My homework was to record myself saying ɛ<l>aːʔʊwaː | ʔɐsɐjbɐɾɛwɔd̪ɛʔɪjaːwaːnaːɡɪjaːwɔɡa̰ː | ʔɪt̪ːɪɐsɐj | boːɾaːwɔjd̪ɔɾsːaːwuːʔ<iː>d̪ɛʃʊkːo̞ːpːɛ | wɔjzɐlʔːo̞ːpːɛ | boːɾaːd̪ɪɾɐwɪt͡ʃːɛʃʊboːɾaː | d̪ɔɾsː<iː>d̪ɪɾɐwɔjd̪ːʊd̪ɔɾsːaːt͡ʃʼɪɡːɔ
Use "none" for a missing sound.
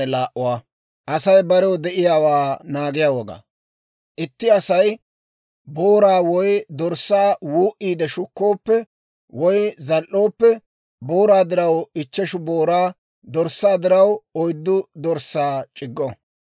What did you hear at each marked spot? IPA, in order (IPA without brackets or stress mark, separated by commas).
l, iː, aː